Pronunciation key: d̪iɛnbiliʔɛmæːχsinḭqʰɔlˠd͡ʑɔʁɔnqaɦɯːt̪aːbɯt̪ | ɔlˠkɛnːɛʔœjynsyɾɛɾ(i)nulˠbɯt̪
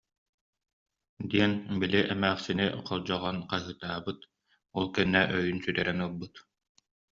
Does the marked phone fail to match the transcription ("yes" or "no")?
yes